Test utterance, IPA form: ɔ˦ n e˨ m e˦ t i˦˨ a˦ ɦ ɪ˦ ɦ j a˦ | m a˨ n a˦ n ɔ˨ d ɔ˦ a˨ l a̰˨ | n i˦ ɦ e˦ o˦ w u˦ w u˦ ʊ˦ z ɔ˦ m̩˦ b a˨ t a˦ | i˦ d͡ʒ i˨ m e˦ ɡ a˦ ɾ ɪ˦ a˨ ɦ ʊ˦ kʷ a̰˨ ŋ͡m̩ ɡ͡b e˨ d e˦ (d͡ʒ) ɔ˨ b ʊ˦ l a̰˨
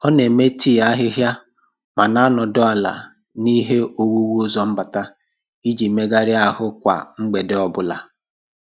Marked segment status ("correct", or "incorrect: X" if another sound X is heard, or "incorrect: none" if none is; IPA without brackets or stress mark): incorrect: none